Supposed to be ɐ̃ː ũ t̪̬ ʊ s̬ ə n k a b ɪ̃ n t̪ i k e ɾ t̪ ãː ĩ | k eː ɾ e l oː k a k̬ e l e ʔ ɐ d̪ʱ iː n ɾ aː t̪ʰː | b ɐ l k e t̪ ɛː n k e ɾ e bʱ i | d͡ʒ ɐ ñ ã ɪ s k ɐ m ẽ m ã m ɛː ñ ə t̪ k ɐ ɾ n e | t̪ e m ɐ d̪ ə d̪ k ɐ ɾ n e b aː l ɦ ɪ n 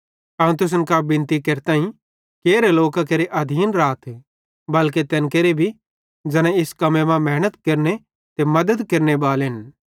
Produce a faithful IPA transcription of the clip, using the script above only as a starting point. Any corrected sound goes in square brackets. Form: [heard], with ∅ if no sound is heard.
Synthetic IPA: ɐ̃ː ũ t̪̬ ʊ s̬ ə n k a b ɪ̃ n t̪ i k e ɾ t̪ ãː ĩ | k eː ɾ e l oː k a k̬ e [ɾ] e ʔ ɐ d̪ʱ iː n ɾ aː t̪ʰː | b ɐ l k e t̪ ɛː n k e ɾ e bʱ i | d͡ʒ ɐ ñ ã ɪ s k ɐ m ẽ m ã m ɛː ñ ə t̪ k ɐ ɾ n e | t̪ e m ɐ d̪ ə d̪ k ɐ ɾ n e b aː l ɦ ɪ n